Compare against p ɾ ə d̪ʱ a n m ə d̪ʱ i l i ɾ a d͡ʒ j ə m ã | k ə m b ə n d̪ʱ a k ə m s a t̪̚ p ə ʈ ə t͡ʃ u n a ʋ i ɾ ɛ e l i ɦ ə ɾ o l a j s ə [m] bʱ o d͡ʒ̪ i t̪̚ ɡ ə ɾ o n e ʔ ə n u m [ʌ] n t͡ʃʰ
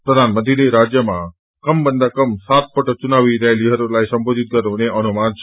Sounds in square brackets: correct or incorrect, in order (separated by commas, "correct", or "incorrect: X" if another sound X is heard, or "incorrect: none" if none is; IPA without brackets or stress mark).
correct, incorrect: a